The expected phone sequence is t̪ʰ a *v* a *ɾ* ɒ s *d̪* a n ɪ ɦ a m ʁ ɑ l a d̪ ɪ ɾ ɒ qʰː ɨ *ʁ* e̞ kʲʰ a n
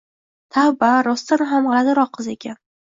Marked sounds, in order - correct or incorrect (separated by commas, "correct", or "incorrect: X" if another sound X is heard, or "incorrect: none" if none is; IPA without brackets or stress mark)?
incorrect: b, correct, incorrect: t̪, incorrect: z